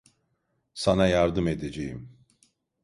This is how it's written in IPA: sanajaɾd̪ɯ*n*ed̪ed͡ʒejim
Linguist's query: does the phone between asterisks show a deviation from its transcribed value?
yes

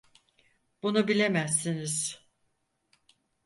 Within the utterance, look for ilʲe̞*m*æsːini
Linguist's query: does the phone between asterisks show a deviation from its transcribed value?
no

